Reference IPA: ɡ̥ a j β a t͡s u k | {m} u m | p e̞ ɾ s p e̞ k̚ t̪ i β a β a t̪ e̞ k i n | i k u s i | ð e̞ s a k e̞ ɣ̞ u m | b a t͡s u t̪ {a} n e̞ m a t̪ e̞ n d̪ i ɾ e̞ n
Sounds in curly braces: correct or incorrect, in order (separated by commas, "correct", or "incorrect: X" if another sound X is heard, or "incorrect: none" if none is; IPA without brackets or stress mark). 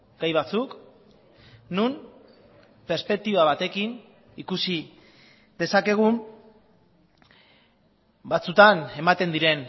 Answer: incorrect: n, correct